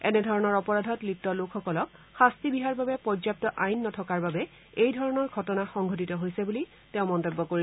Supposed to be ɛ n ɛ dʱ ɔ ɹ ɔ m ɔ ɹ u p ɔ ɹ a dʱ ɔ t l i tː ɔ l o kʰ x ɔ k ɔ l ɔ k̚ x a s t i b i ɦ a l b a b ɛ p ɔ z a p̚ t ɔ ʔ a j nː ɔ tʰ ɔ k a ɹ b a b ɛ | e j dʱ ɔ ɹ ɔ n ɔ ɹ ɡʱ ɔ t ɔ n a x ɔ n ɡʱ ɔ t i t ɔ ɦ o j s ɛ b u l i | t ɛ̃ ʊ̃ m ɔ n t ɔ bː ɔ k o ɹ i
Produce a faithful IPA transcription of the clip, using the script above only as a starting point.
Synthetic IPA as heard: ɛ n ɛ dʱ ɔ ɹ ɔ n ɔ ɹ ɔ p ɔ ɹ a dʱ ɔ t l i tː ɔ l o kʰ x ɔ k ɔ l ɔ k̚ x a s t i b i ɦ a ɹ b a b ɛ p ɔ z a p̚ t ɔ ʔ a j nː ɔ tʰ ɔ k a ɹ b a b ɛ | e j dʱ ɔ ɹ ɔ n ɔ ɹ ɡʱ ɔ t ɔ n a x ɔ ŋ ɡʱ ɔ t i t ɔ ɦ o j s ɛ b u l i | t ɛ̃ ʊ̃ m ɔ n t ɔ bː ɔ k o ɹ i